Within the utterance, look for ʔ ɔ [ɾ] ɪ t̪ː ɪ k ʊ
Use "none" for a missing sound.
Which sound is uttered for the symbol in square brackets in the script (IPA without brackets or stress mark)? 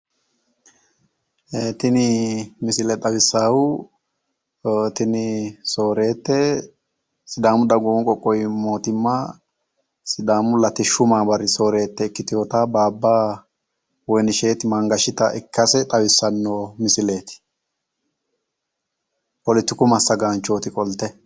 l